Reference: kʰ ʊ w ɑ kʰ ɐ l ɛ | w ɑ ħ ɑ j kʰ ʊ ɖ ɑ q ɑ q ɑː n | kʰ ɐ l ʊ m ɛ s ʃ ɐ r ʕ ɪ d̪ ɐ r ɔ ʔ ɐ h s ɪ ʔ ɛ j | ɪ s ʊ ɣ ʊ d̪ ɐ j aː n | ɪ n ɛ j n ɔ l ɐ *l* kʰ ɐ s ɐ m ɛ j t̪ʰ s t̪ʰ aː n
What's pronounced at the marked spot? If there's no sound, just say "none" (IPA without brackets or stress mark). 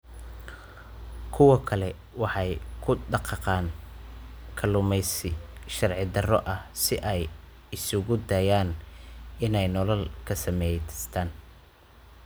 l